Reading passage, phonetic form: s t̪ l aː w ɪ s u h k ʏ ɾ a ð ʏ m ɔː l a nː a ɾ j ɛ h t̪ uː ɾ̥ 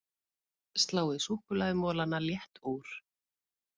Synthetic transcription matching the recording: s t̪ l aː w ɪ s u h k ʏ l a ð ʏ m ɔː l a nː a l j ɛ h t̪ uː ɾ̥